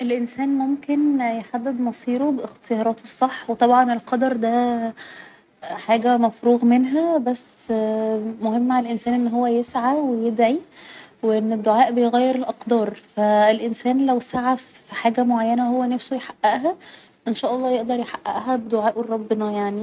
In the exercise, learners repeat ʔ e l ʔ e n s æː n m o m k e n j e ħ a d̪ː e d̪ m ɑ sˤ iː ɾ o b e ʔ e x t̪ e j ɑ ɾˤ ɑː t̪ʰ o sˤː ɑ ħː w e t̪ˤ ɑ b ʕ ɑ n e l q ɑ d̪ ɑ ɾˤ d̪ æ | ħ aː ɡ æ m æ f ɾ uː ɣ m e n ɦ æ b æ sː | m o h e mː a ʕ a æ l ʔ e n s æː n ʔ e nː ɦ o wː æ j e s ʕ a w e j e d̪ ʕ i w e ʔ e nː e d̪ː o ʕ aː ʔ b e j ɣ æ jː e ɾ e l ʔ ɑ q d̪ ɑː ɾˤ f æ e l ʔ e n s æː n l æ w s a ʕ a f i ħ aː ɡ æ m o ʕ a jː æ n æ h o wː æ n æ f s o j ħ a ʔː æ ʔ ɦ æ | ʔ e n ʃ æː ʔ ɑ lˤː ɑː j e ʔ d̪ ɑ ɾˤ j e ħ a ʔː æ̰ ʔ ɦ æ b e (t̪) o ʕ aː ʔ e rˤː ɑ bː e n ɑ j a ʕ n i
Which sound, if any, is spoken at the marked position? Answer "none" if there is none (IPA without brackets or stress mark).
d̪